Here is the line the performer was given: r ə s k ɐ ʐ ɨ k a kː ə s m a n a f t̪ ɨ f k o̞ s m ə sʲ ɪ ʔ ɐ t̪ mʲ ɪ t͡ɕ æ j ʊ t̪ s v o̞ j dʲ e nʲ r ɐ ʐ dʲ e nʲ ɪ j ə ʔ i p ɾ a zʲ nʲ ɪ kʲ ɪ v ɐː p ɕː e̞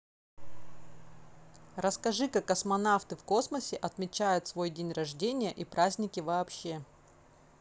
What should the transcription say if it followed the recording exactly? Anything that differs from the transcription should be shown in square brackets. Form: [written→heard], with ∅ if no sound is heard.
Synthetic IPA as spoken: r ə s k ɐ ʐ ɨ k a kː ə s m [a→ɐ] n a f t̪ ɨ f k o̞ s m ə sʲ ɪ ʔ ɐ t̪ mʲ ɪ t͡ɕ æ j ʊ t̪ s v o̞ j dʲ e nʲ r ɐ ʐ dʲ e nʲ ɪ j ə ʔ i p ɾ a zʲ nʲ ɪ kʲ ɪ v ɐː p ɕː e̞